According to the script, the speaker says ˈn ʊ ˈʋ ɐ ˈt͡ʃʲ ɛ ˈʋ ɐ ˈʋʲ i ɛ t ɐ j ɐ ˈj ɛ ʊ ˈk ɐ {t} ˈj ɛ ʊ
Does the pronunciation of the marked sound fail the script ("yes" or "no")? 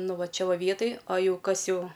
yes